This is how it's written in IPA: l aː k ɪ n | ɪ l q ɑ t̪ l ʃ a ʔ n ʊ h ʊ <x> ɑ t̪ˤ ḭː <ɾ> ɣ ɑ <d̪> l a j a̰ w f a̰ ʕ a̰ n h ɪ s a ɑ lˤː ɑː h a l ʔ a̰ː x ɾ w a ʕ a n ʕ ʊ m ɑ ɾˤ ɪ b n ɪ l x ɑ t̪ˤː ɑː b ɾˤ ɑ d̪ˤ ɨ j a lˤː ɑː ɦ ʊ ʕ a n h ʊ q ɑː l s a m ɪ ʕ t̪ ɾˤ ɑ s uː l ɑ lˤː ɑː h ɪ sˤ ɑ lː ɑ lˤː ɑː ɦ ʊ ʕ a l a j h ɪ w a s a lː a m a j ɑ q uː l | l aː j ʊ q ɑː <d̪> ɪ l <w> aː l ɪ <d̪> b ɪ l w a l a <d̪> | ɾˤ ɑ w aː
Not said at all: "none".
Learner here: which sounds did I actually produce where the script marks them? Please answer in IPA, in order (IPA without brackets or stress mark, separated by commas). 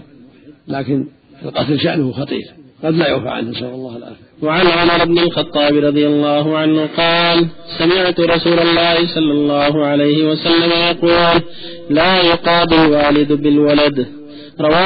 x, ɾ, d̪, d̪, w, d̪, d̪